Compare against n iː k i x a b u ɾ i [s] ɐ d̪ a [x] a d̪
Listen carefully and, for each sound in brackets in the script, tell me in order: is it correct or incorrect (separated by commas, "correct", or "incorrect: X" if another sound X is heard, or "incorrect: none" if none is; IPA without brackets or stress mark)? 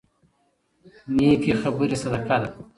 correct, incorrect: k